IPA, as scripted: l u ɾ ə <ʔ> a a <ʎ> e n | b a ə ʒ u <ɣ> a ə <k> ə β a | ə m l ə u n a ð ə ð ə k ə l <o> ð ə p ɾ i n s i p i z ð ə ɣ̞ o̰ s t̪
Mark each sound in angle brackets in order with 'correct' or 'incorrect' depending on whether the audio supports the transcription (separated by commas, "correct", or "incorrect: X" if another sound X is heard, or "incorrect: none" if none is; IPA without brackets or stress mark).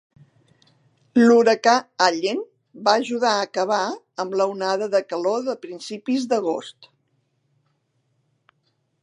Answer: incorrect: k, correct, incorrect: ð, correct, correct